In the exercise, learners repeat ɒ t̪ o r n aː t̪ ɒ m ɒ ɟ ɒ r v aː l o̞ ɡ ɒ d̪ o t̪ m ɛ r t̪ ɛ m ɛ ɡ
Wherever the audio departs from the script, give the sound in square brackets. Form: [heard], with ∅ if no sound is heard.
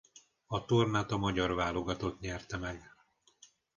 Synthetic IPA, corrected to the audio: ɒ t̪ o r n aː t̪ ɒ m ɒ ɟ ɒ r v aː l o̞ ɡ ɒ [t̪] o t̪ [ɲ] ɛ r t̪ ɛ m ɛ ɡ

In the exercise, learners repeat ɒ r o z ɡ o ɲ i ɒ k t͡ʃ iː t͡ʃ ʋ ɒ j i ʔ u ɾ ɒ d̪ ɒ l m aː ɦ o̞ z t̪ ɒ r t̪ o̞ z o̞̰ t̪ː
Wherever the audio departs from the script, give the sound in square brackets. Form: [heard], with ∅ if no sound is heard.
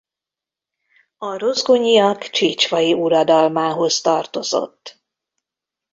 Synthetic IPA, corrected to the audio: ɒ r o z ɡ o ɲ i ɒ k t͡ʃ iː t͡ʃ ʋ ɒ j i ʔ u ɾ ɒ d̪ ɒ l m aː ɦ o̞ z t̪ ɒ r t̪ o̞ z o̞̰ t̪ː

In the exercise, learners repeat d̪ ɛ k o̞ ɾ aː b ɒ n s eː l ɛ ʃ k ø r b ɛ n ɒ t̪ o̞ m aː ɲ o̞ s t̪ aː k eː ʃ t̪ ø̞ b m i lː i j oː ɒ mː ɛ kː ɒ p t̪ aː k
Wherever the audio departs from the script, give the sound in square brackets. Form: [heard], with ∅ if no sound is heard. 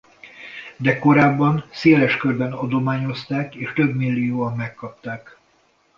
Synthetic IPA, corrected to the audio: d̪ ɛ k o̞ ɾ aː [bː] ɒ n s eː l ɛ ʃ k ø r b ɛ n ɒ [d̪] o̞ m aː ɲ o̞ s t̪ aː k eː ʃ t̪ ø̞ b m i lː i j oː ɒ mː ɛ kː ɒ p t̪ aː k

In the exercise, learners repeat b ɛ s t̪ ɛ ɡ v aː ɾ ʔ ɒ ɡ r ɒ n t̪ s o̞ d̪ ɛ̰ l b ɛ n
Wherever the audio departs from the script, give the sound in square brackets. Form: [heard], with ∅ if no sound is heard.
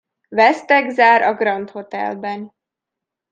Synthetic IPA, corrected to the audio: [v] ɛ s t̪ ɛ ɡ [z] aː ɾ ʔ ɒ ɡ r ɒ n t̪ [h] o̞ [t̪] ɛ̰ l b ɛ n

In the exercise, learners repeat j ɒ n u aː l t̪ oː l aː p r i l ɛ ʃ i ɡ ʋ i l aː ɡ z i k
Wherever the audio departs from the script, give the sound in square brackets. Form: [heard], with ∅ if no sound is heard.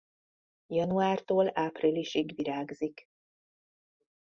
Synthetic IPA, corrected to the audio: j ɒ n u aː [r] t̪ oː l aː p r i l [i] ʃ i ɡ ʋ i [ɾ] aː ɡ z i k

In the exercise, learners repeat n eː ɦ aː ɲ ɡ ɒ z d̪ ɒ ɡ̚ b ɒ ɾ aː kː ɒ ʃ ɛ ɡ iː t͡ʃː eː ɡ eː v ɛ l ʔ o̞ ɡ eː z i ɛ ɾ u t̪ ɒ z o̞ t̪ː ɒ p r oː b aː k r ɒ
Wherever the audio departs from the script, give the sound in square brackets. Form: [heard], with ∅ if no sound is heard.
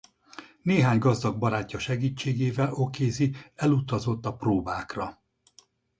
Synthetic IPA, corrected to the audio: n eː ɦ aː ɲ ɡ ɒ z d̪ ɒ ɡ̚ b ɒ ɾ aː [cː] ɒ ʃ ɛ ɡ iː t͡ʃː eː ɡ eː v ɛ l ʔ o̞ [k] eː z i ɛ [l] u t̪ ɒ z o̞ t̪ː ɒ p r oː b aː k r ɒ

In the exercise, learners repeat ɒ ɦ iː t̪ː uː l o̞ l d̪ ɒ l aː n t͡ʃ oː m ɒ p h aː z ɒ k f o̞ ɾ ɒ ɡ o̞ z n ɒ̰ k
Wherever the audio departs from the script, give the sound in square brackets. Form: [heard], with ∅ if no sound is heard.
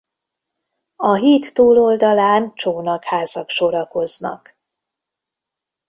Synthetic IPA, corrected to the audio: ɒ ɦ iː t̪ː uː l o̞ l d̪ ɒ l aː n t͡ʃ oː [n] ɒ [k] h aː z ɒ k [ʃ] o̞ ɾ ɒ [k] o̞ z n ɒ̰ k

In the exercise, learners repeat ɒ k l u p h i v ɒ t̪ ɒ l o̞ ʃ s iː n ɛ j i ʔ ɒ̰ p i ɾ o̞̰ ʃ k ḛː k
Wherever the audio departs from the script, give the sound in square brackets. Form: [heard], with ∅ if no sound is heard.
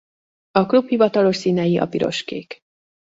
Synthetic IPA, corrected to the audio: ɒ k l u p h i v ɒ t̪ ɒ l o̞ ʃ s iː n ɛ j i ʔ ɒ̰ p i ɾ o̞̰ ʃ k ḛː k

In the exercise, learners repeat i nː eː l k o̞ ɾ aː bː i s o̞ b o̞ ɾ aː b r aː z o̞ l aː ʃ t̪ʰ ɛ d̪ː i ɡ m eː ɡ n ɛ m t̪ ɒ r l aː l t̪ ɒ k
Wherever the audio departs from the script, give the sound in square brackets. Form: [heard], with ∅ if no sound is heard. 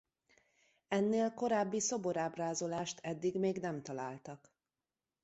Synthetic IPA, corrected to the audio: [ɛ] nː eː l k o̞ ɾ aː bː i s o̞ b o̞ ɾ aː b r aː z o̞ l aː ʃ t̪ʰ ɛ d̪ː i ɡ m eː ɡ n ɛ m t̪ ɒ [∅] l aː l t̪ ɒ k

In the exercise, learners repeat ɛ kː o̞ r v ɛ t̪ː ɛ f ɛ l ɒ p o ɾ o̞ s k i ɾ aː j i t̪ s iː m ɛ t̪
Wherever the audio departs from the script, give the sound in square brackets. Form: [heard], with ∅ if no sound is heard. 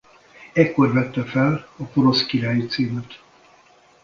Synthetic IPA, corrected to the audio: ɛ kː o̞ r v ɛ t̪ː ɛ f ɛ l ɒ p o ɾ o̞ s k i ɾ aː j i t̪ s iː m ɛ t̪

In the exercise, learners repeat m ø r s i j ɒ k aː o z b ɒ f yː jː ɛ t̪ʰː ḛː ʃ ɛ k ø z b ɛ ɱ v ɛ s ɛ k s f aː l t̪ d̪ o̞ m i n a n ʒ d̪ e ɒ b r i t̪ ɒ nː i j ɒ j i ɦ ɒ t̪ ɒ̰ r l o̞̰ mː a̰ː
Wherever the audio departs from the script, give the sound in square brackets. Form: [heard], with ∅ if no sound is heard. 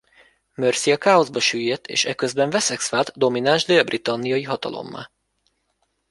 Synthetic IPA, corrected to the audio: m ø r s i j ɒ k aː o z b ɒ [ʃ] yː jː ɛ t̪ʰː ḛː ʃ ɛ k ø z b ɛ ɱ v ɛ s ɛ k s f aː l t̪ d̪ o̞ m i n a n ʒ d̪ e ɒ b r i t̪ ɒ nː i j ɒ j i ɦ ɒ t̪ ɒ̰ [∅] l o̞̰ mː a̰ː

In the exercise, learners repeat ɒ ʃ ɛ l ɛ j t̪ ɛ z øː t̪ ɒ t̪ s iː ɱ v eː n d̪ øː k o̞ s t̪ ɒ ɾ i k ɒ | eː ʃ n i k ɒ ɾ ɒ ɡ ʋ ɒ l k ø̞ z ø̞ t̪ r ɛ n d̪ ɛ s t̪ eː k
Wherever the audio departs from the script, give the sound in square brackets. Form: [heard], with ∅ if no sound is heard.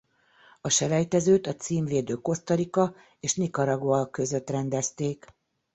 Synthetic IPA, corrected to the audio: ɒ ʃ ɛ l ɛ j t̪ ɛ z øː t̪ ɒ t̪ s iː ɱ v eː [∅] d̪ øː k o̞ s t̪ ɒ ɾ i k ɒ | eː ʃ n i k ɒ ɾ ɒ ɡ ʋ ɒ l k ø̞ z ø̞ t̪ r ɛ n d̪ ɛ s t̪ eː k

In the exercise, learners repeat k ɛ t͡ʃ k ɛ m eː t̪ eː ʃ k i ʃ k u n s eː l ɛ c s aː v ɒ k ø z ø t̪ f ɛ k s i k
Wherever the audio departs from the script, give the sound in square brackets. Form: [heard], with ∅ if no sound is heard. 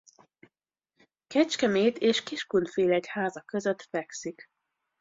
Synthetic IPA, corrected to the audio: k ɛ t͡ʃ k ɛ m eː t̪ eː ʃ k i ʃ k u n [f] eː l ɛ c [h] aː [z] ɒ k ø z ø t̪ f ɛ k s i k

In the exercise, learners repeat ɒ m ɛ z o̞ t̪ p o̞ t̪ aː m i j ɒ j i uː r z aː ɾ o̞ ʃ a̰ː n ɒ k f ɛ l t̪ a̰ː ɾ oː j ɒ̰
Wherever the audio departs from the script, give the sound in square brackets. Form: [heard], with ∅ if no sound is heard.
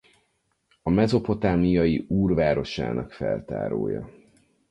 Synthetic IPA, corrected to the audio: ɒ m ɛ z o̞ [∅] p o̞ t̪ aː m i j ɒ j i uː r [v] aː ɾ o̞ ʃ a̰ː n ɒ k f ɛ l t̪ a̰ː ɾ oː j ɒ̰

